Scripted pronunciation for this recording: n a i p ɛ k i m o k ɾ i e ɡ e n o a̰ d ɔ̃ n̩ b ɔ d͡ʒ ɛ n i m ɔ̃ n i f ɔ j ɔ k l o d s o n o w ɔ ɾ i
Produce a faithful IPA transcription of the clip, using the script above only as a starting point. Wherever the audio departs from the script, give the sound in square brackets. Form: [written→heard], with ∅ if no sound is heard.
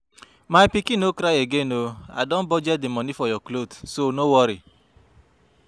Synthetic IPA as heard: [n→m] a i p [ɛ→i] k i [m→n] o k ɾ [i→a] e ɡ e n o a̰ d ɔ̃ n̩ b ɔ d͡ʒ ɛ [n→d] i m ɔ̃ n i f ɔ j ɔ k l o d s o n o w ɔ ɾ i